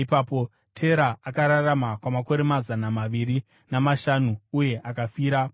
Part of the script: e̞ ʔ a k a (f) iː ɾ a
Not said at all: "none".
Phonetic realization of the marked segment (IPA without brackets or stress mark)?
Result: f